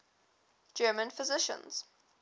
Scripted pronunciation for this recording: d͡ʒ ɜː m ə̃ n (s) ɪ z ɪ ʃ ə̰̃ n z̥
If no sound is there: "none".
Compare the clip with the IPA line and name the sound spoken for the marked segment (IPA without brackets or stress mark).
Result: f